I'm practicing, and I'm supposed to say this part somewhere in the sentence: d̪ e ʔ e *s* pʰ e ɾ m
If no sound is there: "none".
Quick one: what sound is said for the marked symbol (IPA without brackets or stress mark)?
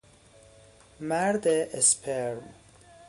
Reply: s